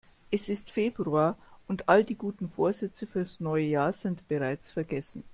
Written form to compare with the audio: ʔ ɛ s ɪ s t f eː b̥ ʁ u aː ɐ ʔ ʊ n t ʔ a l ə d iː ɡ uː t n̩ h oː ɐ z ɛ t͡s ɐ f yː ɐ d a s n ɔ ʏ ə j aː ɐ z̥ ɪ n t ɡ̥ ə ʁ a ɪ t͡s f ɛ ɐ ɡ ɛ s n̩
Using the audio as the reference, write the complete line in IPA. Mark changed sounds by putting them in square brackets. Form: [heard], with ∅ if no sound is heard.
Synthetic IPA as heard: ʔ ɛ s ɪ s t f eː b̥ ʁ u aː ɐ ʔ ʊ n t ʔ a l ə d iː ɡ uː t n̩ [f] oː ɐ z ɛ t͡s [ə] f yː ɐ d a s n ɔ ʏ ə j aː ɐ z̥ ɪ n t [b̥] ə ʁ a ɪ t͡s f ɛ ɐ ɡ ɛ s n̩